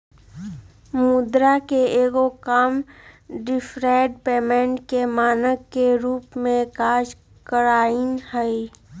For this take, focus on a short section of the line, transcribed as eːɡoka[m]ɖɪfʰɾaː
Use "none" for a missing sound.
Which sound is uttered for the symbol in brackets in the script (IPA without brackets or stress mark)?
m